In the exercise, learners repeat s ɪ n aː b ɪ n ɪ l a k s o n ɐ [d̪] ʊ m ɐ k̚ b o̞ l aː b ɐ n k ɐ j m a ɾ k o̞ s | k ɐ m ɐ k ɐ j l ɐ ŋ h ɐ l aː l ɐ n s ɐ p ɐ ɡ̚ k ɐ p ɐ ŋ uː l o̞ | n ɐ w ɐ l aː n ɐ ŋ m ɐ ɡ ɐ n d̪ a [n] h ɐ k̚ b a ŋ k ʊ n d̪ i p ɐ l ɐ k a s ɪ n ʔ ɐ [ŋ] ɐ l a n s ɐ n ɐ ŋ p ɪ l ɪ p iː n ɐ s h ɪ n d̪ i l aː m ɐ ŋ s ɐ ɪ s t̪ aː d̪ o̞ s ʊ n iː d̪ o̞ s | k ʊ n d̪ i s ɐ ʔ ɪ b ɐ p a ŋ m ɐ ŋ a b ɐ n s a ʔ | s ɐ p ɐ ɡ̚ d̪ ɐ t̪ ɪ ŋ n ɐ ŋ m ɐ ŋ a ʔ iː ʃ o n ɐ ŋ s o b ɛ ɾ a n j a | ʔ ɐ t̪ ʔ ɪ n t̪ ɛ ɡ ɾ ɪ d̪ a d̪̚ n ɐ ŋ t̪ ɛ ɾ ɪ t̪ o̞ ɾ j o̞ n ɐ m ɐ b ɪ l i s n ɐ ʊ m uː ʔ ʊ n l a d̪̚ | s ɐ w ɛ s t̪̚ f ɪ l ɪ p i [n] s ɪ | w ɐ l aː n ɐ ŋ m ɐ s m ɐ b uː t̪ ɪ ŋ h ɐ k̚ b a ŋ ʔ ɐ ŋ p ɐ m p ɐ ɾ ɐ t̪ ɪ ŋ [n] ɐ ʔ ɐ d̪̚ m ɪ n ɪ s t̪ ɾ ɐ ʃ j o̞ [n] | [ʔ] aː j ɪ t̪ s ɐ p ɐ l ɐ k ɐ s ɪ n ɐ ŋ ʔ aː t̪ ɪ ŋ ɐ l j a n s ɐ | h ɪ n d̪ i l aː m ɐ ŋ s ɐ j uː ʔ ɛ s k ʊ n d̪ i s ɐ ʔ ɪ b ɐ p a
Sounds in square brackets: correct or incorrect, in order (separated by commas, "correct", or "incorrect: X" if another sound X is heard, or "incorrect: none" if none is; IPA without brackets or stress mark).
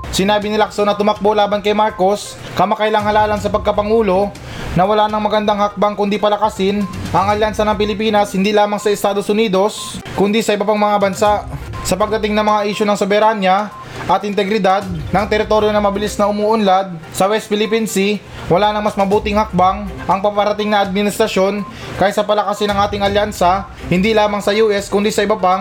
incorrect: t̪, incorrect: ŋ, correct, correct, correct, correct, incorrect: k